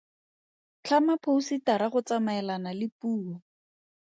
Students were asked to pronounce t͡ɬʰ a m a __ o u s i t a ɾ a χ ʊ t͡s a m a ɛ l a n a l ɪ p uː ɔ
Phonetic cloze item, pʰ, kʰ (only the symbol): pʰ